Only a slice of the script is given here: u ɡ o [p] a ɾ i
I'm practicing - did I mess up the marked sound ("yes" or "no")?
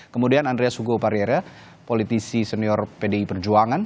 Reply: no